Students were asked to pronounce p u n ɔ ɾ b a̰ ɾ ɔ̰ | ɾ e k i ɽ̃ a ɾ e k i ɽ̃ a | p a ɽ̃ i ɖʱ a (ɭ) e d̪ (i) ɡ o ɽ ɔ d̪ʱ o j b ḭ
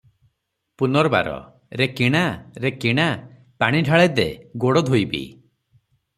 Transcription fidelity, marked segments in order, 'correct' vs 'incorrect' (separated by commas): correct, incorrect